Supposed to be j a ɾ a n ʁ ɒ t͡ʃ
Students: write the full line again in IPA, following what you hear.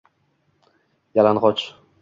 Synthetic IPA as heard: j a l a n ʁ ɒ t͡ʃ